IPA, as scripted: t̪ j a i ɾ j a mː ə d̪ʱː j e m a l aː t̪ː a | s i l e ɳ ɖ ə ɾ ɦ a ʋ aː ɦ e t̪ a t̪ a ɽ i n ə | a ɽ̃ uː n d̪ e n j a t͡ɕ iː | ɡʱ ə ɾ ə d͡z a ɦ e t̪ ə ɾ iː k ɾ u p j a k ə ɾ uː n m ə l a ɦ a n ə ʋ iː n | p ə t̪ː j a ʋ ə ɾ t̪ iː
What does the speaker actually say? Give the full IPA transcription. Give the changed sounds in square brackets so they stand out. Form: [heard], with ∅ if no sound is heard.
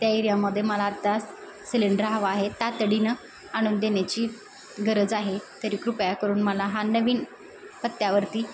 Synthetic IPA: t̪ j a i ɾ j a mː ə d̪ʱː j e m [ə] l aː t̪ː a | s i l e ɳ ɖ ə ɾ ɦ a ʋ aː ɦ e t̪ a t̪ [ə] ɽ i n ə | a ɽ̃ uː n d̪ e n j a t͡ɕ iː | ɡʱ ə ɾ ə d͡z a ɦ e t̪ ə ɾ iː k ɾ u p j a k ə ɾ uː n m ə l a ɦ a n ə ʋ iː n | p ə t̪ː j a ʋ ə ɾ t̪ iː